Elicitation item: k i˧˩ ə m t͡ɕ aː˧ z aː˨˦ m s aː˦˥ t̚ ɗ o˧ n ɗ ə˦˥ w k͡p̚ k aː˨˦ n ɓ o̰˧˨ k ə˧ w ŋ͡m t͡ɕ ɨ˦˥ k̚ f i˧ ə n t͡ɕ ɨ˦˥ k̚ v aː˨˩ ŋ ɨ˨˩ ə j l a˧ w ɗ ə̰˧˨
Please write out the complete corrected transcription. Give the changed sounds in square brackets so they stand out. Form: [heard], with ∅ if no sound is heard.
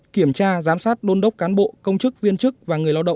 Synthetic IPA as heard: k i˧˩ ə m t͡ɕ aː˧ z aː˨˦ m s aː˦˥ t̚ ɗ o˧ n ɗ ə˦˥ w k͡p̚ k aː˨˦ n ɓ o̰˧˨ k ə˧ w ŋ͡m t͡ɕ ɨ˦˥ k̚ [v] i˧ ə n t͡ɕ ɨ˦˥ k̚ v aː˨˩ ŋ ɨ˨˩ ə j l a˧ w ɗ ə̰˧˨